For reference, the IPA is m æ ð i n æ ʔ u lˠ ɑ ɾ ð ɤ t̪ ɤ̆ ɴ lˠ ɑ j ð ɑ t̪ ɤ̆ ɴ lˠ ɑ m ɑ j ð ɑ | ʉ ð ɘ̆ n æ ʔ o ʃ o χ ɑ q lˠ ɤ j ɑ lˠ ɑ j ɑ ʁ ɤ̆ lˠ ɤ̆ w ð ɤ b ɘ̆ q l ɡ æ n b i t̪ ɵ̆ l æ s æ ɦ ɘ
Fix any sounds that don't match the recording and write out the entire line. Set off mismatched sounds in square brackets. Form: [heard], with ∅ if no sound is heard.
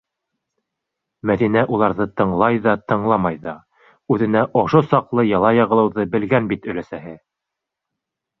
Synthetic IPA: m æ ð i n æ ʔ u lˠ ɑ ɾ ð ɤ t̪ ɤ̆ ɴ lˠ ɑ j ð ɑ t̪ ɤ̆ ɴ lˠ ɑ m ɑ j ð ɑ | ʉ ð ɘ̆ n æ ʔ o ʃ o [s] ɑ q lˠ ɤ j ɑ lˠ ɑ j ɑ ʁ ɤ̆ lˠ ɤ̆ w ð ɤ b ɘ̆ [∅] l ɡ æ n b i t̪ ɵ̆ l æ s æ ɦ ɘ